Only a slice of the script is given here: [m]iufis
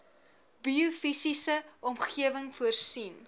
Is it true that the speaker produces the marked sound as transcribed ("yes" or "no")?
no